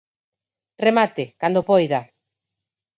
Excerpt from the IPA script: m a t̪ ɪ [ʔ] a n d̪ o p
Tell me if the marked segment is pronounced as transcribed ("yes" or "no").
no